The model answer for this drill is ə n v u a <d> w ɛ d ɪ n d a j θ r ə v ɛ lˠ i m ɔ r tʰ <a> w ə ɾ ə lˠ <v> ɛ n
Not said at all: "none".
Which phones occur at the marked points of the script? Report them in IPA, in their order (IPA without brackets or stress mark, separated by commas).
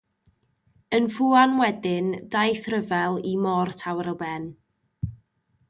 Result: n, a, b